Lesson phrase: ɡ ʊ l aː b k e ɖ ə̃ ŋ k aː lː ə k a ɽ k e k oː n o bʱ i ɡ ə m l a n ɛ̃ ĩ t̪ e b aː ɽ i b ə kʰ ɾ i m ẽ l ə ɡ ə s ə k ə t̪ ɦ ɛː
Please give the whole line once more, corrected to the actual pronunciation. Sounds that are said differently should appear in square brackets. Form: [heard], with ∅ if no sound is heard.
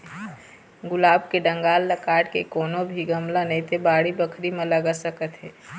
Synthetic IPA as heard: ɡ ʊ l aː b k e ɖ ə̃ ŋ [ɡ] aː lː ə k a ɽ k e k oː n o bʱ i ɡ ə m l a n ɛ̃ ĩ t̪ e b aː ɽ i b ə kʰ ɾ i m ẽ l ə ɡ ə s ə k ə t̪ ɦ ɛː